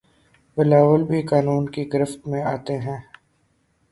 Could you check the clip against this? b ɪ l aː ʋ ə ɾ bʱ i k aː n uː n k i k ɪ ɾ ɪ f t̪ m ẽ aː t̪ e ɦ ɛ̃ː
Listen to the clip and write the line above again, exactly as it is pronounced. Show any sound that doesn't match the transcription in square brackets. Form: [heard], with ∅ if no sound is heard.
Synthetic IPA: b ɪ l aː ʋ ə [l] bʱ i k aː n uː n k i [ɡ] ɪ ɾ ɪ f t̪ m ẽ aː t̪ e ɦ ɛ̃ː